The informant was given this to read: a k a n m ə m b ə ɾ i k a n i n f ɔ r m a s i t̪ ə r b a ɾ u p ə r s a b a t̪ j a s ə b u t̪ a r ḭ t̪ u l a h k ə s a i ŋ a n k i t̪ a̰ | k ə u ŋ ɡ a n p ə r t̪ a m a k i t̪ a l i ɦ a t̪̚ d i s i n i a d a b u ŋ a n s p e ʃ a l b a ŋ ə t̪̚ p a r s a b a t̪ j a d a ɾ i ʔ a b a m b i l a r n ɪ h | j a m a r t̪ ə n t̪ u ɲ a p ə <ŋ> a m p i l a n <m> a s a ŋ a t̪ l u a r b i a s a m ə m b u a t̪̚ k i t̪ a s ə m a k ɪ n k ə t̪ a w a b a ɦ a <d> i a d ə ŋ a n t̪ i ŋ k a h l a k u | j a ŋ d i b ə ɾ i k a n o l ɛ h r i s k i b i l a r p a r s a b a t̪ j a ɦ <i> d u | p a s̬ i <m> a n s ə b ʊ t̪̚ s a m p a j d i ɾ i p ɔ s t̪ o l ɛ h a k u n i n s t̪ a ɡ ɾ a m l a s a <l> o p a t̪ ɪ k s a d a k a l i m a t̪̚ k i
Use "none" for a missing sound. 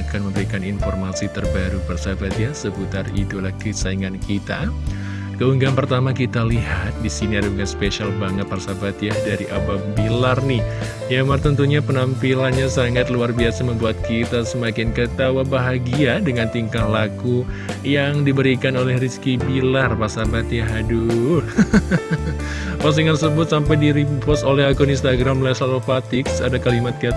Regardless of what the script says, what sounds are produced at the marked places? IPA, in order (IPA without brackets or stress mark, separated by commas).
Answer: n, ɲ, ɡ, a, ŋ, l